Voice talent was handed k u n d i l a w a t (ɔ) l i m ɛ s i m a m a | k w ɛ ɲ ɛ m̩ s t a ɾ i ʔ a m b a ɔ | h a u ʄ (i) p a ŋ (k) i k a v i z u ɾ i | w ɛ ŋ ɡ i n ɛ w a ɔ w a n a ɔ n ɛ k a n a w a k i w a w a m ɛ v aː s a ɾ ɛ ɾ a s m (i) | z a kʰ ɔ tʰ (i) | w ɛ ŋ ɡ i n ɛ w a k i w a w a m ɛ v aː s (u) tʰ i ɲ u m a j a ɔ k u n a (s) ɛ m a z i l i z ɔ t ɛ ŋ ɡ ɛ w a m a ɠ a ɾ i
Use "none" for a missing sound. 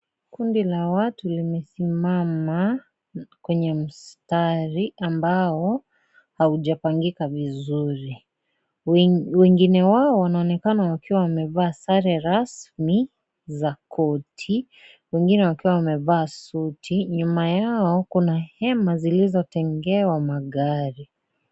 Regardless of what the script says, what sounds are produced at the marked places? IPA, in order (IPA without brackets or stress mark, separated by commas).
u, a, ɡ, i, i, u, h